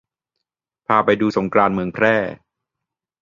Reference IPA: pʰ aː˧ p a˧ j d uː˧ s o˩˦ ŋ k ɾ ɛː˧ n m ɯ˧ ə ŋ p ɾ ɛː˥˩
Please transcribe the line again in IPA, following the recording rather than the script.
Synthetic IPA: pʰ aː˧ p a˧ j d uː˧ s o˩˦ ŋ k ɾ aː˧ n m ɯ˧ ə ŋ pʰ ɾ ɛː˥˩